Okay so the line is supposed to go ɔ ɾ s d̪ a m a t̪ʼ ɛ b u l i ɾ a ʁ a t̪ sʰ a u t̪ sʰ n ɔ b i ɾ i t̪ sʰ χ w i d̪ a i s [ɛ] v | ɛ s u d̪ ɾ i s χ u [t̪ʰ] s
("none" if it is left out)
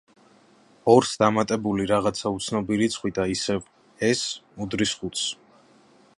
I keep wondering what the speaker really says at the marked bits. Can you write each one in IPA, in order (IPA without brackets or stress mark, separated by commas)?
ɛ, t̪